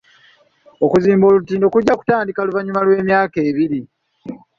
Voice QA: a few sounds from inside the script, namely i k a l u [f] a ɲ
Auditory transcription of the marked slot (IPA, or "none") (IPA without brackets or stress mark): v